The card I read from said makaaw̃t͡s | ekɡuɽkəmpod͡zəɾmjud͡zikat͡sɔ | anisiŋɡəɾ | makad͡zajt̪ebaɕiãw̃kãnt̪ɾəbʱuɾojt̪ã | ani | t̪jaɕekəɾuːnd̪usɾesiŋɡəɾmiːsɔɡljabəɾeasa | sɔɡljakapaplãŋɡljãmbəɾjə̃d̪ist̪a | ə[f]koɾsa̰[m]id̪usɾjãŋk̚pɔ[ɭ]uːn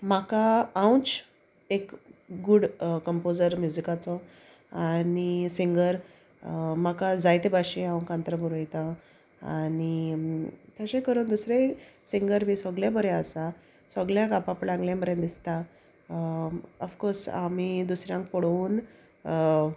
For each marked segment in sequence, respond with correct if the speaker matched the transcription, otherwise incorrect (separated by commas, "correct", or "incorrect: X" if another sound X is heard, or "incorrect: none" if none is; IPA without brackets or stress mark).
correct, correct, incorrect: ɽ